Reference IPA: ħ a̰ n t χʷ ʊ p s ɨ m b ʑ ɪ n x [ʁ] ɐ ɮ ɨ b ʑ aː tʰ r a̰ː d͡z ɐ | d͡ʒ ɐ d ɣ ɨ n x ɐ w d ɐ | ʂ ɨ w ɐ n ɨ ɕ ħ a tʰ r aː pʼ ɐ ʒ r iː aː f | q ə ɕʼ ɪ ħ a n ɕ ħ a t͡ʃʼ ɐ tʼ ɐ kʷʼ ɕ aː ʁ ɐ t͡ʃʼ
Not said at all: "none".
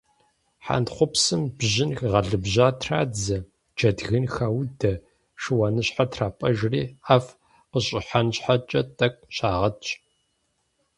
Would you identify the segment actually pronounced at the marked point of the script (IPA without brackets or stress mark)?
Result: ʁ